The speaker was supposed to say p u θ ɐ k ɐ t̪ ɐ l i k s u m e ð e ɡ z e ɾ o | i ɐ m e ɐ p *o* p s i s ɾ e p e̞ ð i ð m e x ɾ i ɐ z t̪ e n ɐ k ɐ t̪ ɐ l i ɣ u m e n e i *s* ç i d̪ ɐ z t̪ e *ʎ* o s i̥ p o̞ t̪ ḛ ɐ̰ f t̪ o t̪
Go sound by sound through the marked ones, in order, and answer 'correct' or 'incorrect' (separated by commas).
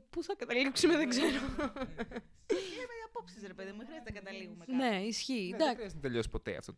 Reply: correct, correct, correct